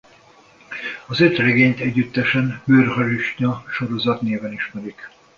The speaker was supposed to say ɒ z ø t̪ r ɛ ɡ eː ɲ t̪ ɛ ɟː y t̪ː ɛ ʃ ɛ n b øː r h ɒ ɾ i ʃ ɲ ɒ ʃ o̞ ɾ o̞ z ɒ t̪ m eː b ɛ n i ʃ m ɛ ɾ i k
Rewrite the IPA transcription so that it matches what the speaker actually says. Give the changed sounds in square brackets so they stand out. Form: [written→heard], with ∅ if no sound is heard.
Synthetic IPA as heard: ɒ z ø t̪ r ɛ ɡ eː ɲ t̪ ɛ ɟː y t̪ː ɛ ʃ ɛ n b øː r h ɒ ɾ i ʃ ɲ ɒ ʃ o̞ ɾ o̞ z ɒ t̪ [m→n] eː [b→v] ɛ n i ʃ m ɛ ɾ i k

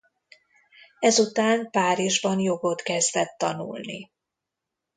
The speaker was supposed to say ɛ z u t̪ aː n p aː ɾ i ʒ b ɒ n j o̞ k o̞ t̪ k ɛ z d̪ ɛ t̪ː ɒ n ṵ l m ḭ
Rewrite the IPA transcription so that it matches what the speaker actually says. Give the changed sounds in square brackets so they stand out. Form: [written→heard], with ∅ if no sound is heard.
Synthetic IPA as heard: ɛ z u t̪ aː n p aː ɾ i ʒ b ɒ n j o̞ [k→ɡ] o̞ t̪ k ɛ z d̪ ɛ t̪ː ɒ n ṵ l [m→n] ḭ

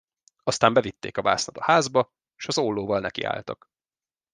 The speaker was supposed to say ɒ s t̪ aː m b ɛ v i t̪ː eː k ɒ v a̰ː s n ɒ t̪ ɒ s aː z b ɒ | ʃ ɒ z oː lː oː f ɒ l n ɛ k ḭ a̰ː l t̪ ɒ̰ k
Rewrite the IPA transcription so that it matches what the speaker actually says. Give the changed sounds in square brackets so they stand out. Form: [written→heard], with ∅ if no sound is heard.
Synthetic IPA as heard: ɒ s t̪ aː m b ɛ v i t̪ː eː k ɒ v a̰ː s n ɒ t̪ ɒ [s→h] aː z b ɒ | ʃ ɒ z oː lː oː [f→v] ɒ l n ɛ k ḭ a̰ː l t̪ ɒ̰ k

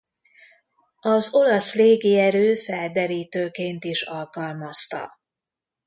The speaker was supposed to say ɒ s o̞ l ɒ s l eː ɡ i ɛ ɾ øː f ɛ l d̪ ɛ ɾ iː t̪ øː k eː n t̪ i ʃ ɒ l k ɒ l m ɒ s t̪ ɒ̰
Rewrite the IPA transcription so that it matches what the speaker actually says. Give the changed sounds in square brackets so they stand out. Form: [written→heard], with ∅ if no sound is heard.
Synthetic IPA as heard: ɒ [s→z] o̞ l ɒ s l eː ɡ i ɛ ɾ øː f ɛ l d̪ ɛ ɾ iː t̪ øː k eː n t̪ i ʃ ɒ l k ɒ l m ɒ s t̪ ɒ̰

